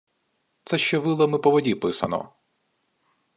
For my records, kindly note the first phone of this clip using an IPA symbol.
t̪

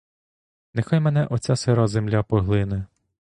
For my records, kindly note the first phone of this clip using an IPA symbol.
n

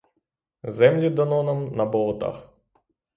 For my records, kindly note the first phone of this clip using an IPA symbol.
z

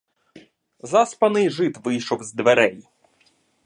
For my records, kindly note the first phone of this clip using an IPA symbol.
z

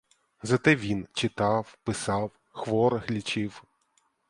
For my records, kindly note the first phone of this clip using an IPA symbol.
z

